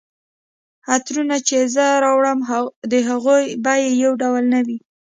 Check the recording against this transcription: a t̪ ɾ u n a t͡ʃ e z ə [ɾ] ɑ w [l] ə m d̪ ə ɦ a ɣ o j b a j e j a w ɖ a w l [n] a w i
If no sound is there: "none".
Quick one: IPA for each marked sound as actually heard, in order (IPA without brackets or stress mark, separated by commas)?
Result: ɾ, ɽ, n